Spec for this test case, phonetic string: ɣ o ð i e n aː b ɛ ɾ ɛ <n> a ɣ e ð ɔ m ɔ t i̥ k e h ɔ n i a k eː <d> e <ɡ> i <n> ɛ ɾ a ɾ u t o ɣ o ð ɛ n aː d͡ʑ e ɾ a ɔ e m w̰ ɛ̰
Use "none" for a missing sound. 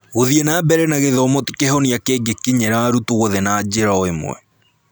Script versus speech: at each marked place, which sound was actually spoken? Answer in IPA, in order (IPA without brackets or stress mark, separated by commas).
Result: n, ɡ, k, ɲ